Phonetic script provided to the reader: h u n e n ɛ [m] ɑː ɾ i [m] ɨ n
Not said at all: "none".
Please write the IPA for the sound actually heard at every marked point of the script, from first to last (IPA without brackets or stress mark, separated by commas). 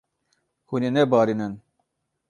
b, n